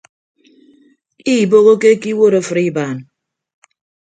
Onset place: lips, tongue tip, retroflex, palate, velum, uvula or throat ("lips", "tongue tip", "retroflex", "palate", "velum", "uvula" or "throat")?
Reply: lips